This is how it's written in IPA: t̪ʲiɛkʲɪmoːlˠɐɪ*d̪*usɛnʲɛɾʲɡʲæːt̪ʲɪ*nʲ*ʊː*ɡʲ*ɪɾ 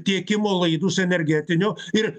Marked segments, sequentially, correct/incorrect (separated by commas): correct, correct, incorrect